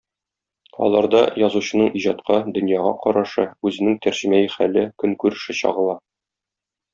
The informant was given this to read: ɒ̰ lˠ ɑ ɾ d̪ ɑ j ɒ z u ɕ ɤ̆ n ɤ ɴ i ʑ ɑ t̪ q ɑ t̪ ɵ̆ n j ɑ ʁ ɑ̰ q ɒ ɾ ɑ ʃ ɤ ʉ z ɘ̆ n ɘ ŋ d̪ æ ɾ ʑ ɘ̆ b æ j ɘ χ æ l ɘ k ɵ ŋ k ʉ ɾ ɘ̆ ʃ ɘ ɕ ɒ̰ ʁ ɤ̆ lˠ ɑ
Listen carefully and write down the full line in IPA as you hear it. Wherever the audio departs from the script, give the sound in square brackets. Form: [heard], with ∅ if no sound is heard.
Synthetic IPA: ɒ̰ lˠ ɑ ɾ d̪ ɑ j ɒ z u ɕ ɤ̆ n ɤ ɴ i ʑ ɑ t̪ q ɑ [d̪] ɵ̆ n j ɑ ʁ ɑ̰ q ɒ ɾ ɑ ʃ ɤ ʉ z ɘ̆ n ɘ ŋ [t̪] æ ɾ ʑ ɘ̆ [m] æ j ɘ χ æ l ɘ k ɵ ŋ k ʉ ɾ ɘ̆ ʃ ɘ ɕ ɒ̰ ʁ ɤ̆ lˠ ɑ